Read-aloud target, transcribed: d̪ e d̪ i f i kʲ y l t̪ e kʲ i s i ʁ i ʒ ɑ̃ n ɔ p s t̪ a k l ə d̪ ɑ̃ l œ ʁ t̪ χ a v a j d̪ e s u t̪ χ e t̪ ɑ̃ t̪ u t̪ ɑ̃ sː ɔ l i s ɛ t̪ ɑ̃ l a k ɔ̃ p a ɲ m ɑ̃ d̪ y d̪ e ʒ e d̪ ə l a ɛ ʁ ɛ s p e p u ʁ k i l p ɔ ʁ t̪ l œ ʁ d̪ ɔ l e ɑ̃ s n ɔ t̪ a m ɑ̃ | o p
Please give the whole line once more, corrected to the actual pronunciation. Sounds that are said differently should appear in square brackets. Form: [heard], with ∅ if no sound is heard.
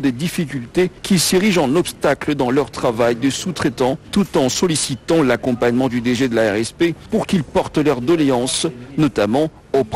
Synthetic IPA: d̪ e d̪ i f i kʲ y l t̪ e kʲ i s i ʁ i ʒ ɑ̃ n ɔ p s t̪ a k l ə d̪ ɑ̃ l œ ʁ t̪ χ a v a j d̪ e s u t̪ χ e t̪ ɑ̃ t̪ u t̪ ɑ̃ [s] ɔ l i s [i] t̪ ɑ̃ l a k ɔ̃ p a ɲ m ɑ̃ d̪ y d̪ e ʒ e d̪ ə l a ɛ ʁ ɛ s p e p u ʁ k i l p ɔ ʁ t̪ l œ ʁ d̪ ɔ l e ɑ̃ s n ɔ t̪ a m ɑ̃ | o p